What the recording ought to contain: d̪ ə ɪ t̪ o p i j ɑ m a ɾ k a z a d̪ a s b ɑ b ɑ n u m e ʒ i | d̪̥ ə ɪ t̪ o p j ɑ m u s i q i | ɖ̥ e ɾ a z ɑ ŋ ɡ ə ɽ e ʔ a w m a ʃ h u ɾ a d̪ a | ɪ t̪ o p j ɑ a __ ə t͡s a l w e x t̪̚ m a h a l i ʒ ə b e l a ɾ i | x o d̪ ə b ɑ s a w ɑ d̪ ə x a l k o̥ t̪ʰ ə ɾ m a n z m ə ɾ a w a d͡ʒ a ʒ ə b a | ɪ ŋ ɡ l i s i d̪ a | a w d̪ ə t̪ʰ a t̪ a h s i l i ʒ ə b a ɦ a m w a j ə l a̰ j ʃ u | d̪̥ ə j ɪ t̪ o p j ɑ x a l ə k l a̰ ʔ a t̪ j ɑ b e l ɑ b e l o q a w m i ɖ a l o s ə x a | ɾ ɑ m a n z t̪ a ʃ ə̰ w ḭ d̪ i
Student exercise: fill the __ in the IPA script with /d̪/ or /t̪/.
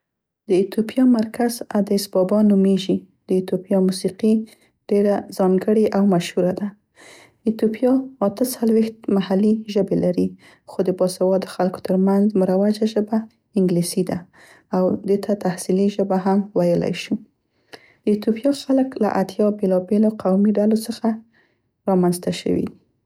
t̪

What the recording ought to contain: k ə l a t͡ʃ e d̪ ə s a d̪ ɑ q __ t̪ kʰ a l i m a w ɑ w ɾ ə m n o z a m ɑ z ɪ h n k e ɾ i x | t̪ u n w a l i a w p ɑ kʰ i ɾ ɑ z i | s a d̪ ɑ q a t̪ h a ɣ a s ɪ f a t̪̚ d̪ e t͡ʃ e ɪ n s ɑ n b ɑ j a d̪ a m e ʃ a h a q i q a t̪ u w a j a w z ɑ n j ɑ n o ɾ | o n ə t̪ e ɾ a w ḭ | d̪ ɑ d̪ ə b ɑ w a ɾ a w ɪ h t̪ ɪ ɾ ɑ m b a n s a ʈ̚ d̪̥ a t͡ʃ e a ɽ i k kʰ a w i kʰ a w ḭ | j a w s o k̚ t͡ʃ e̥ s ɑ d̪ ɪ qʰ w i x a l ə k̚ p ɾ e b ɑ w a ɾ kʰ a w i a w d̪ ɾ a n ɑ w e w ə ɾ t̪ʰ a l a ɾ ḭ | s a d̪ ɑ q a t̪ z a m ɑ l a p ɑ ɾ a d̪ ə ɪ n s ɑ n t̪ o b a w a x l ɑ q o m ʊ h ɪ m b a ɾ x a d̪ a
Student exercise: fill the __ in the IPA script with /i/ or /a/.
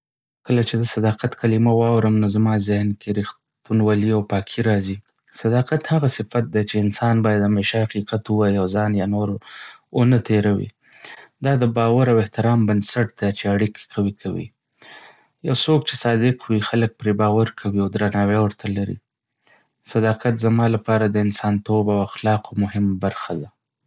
a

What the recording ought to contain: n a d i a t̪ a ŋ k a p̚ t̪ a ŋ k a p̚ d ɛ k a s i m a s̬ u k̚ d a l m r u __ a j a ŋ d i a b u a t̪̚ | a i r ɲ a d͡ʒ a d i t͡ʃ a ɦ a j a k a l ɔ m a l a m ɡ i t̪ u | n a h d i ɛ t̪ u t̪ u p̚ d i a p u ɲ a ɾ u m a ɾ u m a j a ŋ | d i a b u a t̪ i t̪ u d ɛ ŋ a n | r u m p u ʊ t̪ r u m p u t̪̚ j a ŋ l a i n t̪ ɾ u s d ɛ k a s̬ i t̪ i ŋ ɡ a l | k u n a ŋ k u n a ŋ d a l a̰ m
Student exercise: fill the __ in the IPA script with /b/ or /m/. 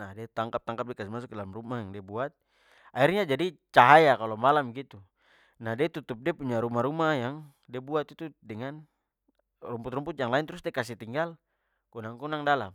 m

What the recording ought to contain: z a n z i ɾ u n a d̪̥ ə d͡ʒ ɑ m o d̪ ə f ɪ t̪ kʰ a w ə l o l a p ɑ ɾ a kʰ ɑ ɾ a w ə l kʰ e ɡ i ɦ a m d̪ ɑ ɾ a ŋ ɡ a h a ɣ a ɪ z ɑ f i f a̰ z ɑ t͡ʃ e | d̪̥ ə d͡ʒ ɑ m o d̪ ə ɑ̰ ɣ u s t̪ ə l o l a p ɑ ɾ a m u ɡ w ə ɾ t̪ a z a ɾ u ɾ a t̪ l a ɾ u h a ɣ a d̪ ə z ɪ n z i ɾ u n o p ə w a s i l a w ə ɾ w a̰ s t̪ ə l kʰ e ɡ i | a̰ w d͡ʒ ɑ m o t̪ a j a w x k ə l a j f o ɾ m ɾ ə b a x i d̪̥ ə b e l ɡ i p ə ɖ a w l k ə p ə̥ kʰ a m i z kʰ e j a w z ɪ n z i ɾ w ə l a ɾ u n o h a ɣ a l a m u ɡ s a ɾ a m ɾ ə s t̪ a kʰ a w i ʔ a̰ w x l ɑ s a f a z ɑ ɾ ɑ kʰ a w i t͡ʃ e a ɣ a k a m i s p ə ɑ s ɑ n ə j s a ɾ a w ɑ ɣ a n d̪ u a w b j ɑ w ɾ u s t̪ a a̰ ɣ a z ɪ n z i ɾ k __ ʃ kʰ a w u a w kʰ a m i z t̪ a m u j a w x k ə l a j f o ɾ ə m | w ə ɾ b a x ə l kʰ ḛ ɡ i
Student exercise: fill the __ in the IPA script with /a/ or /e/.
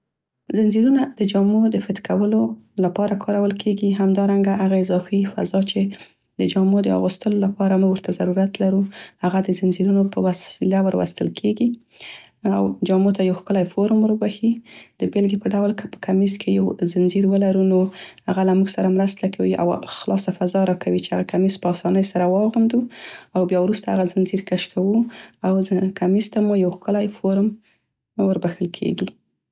a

